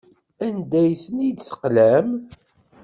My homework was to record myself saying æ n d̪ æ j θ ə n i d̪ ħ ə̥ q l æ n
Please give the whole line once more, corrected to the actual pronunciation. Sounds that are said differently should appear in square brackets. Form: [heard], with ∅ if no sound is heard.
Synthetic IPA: æ n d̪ æ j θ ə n i d̪ [θ] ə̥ q l æ [m]

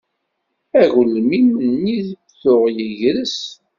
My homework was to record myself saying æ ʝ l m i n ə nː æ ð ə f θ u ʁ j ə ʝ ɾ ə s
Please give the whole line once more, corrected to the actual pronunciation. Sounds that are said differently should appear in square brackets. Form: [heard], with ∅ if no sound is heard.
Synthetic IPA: æ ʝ l m i [m] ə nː [i] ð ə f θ [ʊ] ʁ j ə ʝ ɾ ə s

